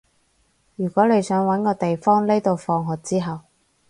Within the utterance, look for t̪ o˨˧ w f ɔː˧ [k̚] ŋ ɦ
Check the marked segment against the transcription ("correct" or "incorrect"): incorrect